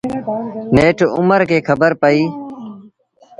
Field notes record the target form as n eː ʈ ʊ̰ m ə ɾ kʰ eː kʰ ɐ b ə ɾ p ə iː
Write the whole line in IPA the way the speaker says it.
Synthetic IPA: n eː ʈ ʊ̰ m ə ɾ k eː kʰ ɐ b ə ɾ p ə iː